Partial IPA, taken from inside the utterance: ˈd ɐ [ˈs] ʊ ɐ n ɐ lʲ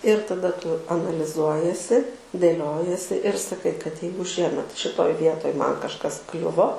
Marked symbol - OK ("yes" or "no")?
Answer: no